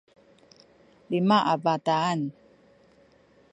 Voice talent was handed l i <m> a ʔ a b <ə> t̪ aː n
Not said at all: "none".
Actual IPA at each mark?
m, a

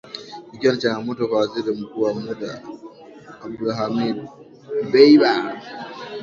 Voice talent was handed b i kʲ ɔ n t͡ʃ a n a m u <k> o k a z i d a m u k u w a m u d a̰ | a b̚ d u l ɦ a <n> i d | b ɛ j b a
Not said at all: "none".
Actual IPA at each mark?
t, m

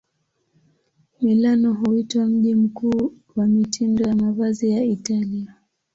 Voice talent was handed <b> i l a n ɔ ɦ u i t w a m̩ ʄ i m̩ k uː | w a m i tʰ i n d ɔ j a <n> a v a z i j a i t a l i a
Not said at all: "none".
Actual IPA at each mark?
m, m

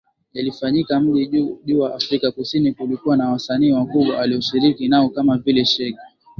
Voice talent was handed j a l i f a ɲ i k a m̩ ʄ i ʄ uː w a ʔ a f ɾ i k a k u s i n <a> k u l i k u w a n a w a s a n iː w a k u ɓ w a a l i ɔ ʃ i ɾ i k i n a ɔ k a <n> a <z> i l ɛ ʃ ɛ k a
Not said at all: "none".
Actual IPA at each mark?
i, m, v

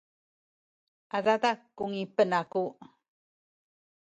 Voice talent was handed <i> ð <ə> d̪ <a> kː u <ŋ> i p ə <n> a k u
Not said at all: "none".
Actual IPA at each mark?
a, a, a, ŋ, n

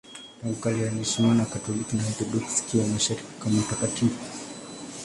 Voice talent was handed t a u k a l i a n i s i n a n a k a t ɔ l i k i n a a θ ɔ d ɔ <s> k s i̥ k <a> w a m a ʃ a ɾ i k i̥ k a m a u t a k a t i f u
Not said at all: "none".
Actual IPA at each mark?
none, i

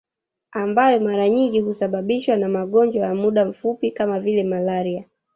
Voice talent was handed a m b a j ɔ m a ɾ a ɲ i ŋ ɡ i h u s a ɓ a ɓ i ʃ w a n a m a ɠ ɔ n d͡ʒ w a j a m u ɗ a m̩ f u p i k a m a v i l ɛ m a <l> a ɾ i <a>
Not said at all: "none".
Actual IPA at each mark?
l, a

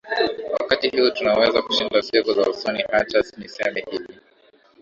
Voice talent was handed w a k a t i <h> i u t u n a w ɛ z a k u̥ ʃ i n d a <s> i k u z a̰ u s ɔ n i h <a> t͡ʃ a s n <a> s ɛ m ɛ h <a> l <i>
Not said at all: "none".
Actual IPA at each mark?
h, s, a, i, i, i

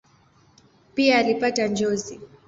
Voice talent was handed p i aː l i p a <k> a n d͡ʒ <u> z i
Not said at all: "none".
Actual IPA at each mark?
t, ɔ

